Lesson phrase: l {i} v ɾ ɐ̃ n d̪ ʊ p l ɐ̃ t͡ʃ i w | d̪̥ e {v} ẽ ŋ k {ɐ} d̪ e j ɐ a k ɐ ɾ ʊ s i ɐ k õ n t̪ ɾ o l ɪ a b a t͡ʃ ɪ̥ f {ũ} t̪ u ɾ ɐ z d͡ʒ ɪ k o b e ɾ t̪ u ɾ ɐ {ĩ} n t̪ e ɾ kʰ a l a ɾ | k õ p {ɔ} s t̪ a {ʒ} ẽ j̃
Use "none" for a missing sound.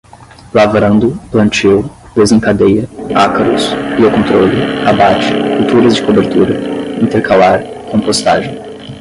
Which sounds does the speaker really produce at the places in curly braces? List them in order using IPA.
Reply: a, z, a, u, ĩ, o, ʒ

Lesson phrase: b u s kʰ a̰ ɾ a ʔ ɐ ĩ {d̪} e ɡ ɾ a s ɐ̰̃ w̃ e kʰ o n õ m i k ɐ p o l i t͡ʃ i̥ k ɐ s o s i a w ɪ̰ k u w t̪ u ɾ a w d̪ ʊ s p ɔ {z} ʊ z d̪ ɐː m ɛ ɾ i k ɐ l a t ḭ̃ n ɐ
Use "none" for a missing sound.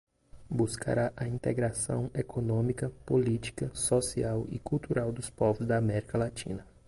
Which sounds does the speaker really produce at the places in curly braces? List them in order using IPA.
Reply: t̪, v

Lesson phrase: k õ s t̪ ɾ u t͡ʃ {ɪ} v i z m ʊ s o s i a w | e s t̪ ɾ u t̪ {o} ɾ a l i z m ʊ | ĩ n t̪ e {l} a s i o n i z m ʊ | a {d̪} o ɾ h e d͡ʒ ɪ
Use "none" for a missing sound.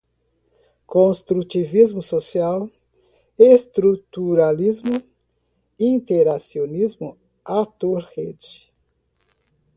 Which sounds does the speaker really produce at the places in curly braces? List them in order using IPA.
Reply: i, u, ɾ, t̪

